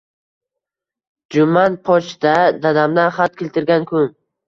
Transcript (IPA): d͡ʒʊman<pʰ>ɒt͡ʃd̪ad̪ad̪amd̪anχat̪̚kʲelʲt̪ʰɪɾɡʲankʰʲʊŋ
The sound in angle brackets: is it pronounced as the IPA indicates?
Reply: yes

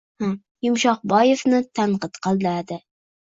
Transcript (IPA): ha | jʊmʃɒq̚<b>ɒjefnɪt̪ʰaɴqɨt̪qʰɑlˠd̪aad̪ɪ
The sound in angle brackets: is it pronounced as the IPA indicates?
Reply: yes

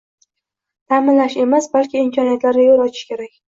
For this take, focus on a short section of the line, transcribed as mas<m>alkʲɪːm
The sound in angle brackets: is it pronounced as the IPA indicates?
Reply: no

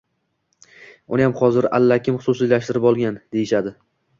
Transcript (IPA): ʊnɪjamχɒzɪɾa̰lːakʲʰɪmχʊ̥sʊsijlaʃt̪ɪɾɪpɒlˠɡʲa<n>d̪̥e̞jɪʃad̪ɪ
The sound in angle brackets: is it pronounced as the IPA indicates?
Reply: yes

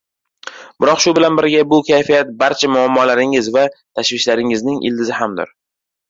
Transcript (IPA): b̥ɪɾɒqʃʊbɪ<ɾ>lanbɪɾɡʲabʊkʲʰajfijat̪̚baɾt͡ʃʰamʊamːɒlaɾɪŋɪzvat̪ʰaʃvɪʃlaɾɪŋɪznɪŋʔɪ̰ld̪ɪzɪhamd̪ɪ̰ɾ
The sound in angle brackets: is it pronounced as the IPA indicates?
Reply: no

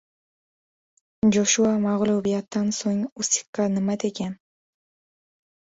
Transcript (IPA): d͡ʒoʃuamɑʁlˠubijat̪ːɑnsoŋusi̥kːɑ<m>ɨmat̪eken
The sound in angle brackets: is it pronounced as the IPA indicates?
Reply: no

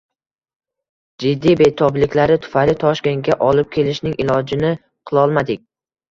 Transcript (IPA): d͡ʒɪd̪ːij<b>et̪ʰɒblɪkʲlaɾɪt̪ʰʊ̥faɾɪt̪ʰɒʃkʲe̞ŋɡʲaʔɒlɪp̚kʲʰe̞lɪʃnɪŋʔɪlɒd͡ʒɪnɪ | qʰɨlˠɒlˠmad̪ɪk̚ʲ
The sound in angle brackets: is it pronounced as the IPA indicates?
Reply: yes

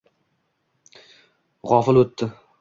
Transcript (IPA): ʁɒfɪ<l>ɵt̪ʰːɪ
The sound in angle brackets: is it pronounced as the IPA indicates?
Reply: yes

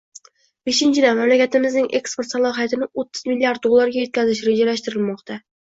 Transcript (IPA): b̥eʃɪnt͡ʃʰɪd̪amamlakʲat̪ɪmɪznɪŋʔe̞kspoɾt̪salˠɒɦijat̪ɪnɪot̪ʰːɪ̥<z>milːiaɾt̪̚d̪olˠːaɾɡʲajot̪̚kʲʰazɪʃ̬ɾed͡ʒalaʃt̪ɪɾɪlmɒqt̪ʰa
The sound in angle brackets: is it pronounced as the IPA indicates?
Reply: yes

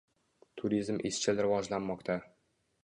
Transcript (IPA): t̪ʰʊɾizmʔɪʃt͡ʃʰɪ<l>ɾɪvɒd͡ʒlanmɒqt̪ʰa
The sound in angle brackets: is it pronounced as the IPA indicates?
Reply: yes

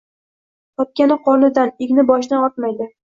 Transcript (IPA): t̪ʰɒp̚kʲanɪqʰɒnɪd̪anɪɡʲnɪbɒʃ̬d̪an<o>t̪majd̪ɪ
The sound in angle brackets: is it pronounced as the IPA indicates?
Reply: no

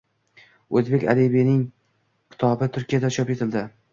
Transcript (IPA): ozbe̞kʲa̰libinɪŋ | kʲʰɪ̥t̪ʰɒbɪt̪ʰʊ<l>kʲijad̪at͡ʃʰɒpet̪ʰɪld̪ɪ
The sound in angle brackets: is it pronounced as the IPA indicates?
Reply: no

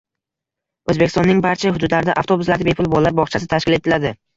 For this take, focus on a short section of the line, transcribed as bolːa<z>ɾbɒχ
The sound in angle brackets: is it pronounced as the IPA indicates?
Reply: no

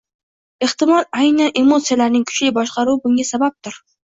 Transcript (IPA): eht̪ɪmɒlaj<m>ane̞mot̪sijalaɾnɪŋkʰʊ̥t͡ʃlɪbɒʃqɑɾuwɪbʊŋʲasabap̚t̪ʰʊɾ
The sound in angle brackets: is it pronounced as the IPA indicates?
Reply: no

